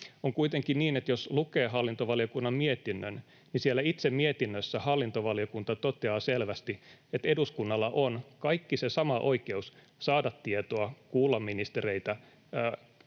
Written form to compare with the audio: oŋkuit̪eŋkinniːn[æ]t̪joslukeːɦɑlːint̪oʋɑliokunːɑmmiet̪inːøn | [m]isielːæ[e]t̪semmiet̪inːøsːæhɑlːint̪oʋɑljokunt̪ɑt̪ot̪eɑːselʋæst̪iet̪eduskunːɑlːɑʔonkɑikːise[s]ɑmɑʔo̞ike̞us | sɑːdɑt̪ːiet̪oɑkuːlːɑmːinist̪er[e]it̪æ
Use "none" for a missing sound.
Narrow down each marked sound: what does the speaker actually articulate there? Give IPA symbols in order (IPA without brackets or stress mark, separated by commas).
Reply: e, n, i, s, e